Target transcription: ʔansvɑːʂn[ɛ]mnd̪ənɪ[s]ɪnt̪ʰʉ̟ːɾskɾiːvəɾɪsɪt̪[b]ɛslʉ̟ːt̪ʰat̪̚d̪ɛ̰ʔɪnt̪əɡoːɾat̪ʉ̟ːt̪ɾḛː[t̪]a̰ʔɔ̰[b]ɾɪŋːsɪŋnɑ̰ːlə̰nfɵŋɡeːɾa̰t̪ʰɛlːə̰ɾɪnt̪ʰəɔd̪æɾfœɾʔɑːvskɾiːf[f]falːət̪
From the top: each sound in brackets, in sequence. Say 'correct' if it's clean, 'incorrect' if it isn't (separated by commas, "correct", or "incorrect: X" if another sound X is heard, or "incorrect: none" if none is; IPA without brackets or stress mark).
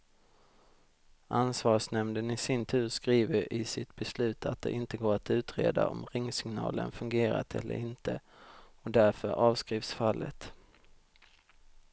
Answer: correct, correct, correct, incorrect: d̪, incorrect: m, incorrect: s